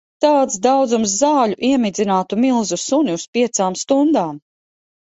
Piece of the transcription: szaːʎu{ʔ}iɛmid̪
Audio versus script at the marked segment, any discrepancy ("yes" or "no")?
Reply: no